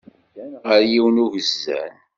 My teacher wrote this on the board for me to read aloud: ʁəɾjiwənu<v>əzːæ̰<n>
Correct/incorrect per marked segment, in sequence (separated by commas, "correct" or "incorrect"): correct, correct